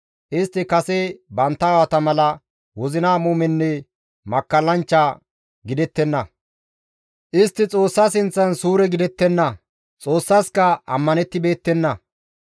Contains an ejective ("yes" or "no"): yes